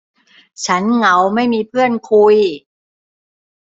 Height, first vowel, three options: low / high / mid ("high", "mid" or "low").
low